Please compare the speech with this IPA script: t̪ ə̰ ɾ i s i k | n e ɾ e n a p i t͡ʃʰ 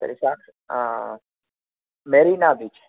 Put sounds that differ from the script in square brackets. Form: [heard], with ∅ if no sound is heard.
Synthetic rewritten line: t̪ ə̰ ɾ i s [a] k | [m] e ɾ [i] n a [b] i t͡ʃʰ